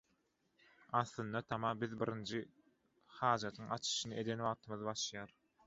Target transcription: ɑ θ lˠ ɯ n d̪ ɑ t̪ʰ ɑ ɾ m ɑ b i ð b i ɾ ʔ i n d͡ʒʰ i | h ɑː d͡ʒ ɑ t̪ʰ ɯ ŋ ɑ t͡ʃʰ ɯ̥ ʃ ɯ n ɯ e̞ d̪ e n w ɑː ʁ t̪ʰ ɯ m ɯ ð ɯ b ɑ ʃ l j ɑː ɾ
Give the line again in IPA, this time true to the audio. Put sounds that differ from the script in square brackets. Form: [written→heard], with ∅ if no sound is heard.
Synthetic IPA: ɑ θ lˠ ɯ n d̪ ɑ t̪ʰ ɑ [ɾ→∅] m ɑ b i ð b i ɾ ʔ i n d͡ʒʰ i | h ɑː d͡ʒ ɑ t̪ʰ ɯ ŋ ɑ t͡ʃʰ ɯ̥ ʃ ɯ n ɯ e̞ d̪ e n w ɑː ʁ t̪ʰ ɯ m ɯ ð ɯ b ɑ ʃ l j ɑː ɾ